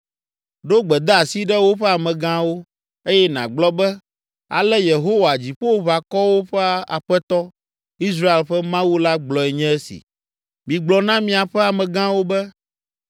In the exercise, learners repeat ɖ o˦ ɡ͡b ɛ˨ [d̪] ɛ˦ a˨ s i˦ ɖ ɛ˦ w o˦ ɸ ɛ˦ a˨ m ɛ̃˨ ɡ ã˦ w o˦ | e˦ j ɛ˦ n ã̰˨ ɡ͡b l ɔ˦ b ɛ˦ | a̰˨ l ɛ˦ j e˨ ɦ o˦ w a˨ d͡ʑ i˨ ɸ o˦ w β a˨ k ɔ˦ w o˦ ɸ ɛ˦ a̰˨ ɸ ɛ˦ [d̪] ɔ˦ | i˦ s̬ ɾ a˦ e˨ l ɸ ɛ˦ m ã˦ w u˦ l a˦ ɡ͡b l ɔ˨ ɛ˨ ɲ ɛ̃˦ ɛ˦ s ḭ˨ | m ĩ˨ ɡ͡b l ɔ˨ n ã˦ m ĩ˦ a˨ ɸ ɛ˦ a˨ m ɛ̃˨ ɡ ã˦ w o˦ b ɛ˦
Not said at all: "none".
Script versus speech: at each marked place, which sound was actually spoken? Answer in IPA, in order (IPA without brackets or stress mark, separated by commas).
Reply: d̪, t̪